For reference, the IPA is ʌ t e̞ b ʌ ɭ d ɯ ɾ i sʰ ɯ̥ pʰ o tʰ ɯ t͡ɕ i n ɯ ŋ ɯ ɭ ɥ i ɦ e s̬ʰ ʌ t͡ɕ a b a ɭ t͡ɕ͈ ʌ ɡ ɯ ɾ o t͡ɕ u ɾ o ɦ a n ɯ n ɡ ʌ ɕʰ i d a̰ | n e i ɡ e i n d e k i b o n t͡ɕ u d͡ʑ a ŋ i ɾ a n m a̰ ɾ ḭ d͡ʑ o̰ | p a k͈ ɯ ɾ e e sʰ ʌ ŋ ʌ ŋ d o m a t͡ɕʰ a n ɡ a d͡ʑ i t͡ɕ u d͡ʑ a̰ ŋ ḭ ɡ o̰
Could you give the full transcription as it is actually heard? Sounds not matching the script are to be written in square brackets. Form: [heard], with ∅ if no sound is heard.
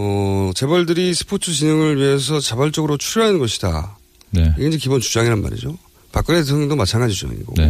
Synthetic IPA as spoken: ʌ [t͡ɕ] e̞ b ʌ ɭ d ɯ ɾ i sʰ ɯ̥ pʰ o tʰ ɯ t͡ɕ i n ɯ ŋ ɯ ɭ ɥ i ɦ e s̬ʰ ʌ t͡ɕ a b a ɭ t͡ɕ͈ ʌ ɡ ɯ ɾ o [t͡ɕʰ] u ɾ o ɦ a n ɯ n ɡ ʌ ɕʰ i d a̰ | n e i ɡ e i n [d͡ʑ] e k i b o n t͡ɕ u d͡ʑ a ŋ i ɾ a n m a̰ ɾ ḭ d͡ʑ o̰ | p a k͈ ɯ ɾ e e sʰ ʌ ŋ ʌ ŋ d o m a t͡ɕʰ a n ɡ a d͡ʑ i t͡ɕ u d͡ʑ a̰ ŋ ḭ ɡ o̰